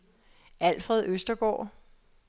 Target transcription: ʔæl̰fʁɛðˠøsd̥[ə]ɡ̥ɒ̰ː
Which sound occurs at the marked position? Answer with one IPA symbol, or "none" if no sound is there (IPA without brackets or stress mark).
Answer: ɐ